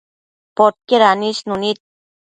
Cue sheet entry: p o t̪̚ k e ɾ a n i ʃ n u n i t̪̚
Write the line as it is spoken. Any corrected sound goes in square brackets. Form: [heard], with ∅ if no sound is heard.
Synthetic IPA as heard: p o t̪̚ k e ɾ a n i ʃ n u n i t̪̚